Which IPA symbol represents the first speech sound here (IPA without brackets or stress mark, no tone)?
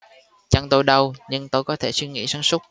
t͡ɕ